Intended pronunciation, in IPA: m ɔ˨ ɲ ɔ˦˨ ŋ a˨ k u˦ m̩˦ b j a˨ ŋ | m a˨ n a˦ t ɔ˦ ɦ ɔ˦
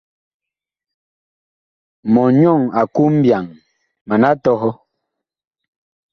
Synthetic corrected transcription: m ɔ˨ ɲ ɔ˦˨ ŋ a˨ k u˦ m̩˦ b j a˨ ŋ | m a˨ n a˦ t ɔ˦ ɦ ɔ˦